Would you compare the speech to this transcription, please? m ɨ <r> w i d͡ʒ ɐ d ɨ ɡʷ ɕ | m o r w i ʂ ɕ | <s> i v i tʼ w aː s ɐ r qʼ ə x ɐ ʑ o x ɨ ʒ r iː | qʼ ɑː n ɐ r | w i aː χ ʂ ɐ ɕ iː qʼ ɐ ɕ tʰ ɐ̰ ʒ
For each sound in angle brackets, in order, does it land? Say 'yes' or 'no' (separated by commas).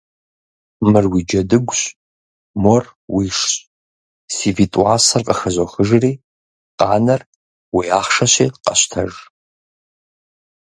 yes, yes